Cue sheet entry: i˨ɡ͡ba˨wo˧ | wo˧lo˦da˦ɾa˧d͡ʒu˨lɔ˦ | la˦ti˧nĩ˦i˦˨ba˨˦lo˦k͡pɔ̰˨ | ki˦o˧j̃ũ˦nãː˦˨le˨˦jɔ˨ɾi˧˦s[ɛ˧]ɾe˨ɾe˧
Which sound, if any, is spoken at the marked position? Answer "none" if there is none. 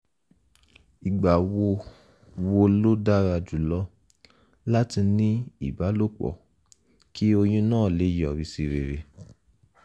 i˧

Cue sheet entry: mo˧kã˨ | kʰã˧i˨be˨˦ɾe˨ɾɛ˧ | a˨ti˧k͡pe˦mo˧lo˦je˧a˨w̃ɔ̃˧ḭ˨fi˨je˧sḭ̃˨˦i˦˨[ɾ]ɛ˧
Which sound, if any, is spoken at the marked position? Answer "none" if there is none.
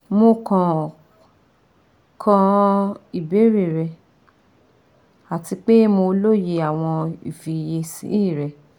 ɾ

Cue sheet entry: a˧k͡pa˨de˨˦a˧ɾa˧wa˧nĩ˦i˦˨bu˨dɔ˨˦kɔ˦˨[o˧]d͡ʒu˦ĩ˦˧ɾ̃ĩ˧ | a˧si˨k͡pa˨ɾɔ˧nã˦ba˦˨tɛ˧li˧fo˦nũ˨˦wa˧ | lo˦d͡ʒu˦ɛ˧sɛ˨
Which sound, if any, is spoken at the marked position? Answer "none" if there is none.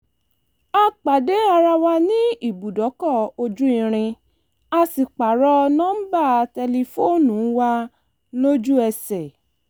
o˧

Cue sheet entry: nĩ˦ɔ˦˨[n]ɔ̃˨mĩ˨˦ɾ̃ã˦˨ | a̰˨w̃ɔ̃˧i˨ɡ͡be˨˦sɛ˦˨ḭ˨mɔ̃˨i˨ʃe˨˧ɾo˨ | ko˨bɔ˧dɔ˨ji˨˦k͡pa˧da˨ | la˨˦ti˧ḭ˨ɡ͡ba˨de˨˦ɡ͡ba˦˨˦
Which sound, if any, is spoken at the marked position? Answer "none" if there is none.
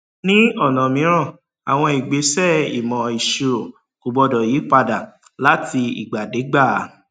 n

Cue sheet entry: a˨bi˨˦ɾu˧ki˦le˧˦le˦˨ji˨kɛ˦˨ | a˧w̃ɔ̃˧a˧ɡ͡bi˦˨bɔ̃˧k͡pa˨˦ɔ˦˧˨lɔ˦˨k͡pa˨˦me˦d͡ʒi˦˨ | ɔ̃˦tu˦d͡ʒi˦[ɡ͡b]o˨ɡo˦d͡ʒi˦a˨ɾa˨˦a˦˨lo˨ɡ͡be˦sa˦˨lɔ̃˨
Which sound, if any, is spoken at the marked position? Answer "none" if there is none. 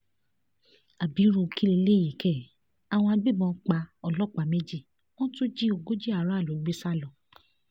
none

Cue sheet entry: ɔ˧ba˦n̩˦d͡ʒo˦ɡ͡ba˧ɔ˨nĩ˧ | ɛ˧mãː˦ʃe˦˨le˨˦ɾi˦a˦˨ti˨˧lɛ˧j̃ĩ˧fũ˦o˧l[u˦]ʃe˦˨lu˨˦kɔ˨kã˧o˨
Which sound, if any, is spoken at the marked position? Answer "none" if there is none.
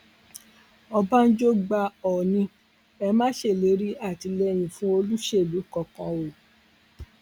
u˦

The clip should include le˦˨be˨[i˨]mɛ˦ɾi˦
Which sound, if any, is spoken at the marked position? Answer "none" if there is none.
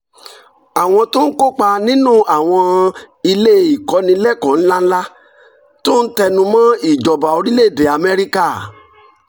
a˨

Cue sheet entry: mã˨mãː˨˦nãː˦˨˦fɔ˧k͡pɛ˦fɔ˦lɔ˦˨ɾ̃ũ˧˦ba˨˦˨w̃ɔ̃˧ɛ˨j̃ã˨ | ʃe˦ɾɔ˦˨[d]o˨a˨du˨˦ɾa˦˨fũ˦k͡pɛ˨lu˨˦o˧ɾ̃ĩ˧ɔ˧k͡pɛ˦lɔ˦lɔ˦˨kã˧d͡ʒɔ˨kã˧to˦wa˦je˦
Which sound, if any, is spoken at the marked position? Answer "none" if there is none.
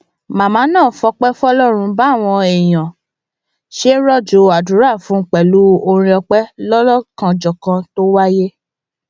d͡ʒ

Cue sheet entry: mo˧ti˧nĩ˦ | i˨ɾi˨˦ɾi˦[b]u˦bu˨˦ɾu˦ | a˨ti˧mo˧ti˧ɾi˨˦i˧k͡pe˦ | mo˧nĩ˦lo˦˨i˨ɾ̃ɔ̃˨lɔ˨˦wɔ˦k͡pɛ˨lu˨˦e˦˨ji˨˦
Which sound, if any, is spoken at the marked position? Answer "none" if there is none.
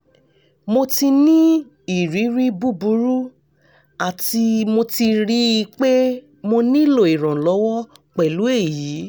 b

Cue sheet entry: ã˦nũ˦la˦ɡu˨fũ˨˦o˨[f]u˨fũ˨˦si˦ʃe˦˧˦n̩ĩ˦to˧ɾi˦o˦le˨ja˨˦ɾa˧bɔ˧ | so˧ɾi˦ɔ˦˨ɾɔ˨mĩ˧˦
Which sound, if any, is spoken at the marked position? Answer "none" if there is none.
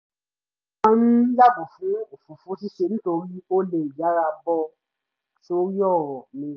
f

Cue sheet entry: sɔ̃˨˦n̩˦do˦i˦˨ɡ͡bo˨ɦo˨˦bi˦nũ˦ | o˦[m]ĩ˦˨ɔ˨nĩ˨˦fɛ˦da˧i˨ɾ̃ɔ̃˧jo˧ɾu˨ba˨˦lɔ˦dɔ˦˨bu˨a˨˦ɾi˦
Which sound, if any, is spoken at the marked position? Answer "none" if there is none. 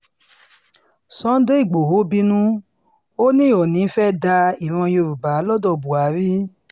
n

